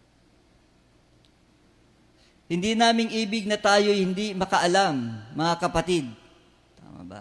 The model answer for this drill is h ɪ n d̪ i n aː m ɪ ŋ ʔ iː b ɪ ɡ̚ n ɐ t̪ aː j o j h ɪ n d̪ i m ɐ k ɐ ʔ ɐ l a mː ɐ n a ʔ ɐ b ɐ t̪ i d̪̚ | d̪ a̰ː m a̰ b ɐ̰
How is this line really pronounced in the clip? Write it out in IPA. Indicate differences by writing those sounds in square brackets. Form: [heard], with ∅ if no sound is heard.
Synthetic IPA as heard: h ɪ n d̪ i n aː m ɪ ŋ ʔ iː b ɪ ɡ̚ n ɐ t̪ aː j o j h ɪ n d̪ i m ɐ k ɐ ʔ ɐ l a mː ɐ [ŋ] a [k] ɐ [p] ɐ t̪ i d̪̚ | [t̪] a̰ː m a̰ b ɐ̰